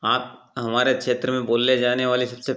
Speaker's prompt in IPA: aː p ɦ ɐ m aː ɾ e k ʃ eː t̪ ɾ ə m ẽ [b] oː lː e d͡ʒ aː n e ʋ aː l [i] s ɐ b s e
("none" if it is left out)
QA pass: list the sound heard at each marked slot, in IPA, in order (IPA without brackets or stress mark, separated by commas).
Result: b, i